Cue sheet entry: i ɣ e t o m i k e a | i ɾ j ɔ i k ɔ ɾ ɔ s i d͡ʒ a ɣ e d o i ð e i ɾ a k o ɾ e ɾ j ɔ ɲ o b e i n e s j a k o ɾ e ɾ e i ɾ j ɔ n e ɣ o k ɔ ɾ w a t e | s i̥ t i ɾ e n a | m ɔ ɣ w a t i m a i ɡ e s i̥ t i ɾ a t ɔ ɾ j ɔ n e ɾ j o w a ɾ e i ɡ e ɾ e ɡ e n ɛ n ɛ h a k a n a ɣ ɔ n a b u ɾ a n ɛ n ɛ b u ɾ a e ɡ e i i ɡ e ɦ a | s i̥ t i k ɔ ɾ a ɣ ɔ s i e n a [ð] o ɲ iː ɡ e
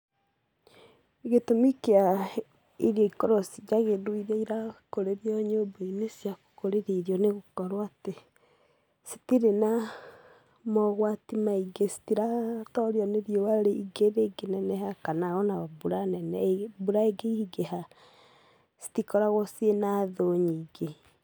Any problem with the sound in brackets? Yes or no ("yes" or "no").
no